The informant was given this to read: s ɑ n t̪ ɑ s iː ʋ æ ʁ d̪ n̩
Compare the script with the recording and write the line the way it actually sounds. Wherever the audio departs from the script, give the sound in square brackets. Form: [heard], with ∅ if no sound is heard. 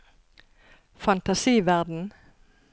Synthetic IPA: [f] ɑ n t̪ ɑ s iː ʋ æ ʁ d̪ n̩